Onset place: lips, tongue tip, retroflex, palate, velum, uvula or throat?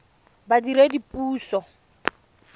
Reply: lips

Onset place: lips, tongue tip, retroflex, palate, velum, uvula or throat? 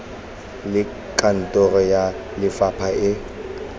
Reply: tongue tip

